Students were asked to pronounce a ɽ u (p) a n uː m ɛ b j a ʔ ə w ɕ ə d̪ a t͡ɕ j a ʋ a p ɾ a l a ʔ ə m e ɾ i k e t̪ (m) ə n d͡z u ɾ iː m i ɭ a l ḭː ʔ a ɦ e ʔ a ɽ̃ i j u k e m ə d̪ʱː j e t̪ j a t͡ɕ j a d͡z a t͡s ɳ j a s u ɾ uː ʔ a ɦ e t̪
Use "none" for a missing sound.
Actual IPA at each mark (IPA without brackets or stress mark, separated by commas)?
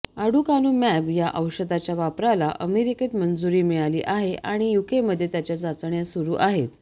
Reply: k, m